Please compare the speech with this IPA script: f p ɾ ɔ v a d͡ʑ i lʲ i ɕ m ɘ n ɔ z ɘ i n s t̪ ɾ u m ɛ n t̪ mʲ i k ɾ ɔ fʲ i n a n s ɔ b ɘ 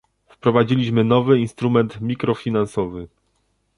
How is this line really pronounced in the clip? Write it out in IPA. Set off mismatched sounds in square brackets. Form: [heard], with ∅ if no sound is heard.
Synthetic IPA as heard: f p ɾ ɔ v a d͡ʑ i lʲ i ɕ m ɘ n ɔ [v] ɘ i n s t̪ ɾ u m ɛ n t̪ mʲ i k ɾ ɔ fʲ i n a n s ɔ [v] ɘ